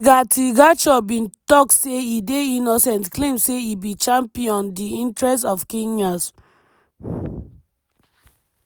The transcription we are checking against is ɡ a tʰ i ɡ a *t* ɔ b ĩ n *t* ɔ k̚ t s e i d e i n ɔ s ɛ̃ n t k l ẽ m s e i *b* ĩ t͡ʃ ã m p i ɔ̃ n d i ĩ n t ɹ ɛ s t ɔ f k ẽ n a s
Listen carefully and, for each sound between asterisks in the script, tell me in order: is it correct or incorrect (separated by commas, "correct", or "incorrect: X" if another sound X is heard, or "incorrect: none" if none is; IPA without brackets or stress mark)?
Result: incorrect: t͡ʃ, correct, correct